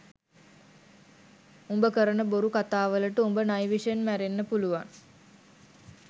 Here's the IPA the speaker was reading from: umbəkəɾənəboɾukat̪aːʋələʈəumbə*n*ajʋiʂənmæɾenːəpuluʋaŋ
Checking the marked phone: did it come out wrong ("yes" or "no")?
no